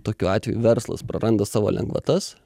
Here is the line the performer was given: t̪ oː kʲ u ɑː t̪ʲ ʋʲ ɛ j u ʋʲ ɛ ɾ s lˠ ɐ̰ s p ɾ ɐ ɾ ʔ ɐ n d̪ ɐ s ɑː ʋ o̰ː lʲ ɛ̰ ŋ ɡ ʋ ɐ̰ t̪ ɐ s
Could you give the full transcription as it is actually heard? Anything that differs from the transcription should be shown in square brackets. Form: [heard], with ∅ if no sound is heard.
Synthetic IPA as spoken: t̪ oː kʲ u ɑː t̪ʲ ʋʲ ɛ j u ʋʲ ɛ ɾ s lˠ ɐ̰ s p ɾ ɐ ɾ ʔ ɐ n d̪ ɐ s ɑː ʋ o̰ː lʲ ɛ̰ ŋ ɡ ʋ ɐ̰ t̪ ɐ s